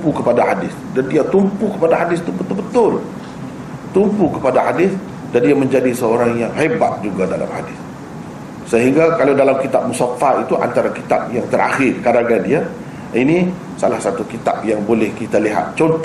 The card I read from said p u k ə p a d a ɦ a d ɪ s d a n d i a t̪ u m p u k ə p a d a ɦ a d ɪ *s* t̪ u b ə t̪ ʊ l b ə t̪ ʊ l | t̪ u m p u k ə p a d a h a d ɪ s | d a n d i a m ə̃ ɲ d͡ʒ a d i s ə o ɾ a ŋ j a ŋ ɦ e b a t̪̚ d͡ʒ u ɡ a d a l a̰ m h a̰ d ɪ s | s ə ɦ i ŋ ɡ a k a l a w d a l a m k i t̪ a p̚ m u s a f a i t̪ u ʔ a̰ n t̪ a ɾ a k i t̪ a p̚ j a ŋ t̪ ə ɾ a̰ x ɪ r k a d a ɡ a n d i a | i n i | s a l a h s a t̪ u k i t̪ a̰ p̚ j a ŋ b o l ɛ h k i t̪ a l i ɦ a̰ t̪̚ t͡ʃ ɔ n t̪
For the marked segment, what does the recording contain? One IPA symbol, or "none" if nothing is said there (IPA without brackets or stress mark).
s